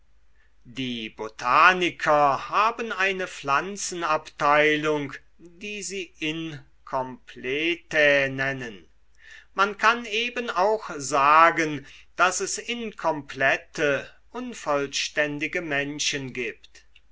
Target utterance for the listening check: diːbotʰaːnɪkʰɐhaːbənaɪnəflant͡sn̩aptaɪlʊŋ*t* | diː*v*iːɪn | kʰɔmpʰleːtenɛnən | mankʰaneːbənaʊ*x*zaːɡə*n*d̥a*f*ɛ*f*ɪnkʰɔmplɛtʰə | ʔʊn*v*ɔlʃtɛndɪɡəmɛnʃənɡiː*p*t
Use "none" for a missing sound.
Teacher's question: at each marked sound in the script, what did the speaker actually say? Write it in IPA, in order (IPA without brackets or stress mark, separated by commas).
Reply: k, z, x, n, s, s, f, p